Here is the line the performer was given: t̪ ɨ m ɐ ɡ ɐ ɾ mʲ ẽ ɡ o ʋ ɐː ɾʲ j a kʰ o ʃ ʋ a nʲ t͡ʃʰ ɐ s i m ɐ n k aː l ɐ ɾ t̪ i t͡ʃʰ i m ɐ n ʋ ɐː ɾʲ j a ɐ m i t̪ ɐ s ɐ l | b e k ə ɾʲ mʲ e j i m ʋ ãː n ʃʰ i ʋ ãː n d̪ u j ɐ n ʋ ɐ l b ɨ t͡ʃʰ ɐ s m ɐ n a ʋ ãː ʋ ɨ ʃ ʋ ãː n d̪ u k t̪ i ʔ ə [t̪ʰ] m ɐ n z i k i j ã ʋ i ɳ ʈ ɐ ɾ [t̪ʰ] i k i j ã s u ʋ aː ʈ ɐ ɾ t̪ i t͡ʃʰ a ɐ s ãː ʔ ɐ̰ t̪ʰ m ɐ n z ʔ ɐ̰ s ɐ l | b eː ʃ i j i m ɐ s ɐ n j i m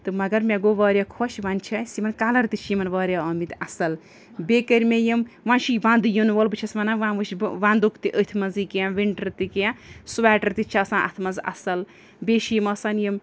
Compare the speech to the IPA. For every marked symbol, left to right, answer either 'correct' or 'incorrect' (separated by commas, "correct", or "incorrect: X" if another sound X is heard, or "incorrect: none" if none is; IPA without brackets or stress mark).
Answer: correct, incorrect: t̪